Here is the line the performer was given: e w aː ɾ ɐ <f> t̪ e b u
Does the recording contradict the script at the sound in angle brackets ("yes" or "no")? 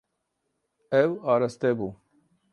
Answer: yes